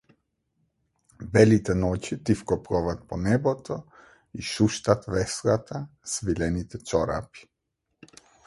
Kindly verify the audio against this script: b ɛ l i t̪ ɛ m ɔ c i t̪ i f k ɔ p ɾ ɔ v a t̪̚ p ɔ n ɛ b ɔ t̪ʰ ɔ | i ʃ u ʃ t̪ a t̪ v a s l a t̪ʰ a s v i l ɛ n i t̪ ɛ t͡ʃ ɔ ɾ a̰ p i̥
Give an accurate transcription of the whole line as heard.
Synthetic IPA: b ɛ l i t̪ ɛ n ɔ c i t̪ i f k ɔ p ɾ ɔ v a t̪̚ p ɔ n ɛ b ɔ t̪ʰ ɔ | i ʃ u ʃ t̪ a t̪ v ɛ s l a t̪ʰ a s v i l ɛ n i t̪ ɛ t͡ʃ ɔ ɾ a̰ p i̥